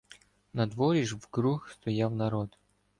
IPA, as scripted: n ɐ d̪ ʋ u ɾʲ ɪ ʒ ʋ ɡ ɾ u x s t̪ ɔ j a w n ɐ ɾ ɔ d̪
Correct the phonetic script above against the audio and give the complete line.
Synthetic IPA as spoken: n ɐ d̪ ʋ ɔ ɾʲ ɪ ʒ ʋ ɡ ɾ u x s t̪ ɔ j a w n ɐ ɾ ɔ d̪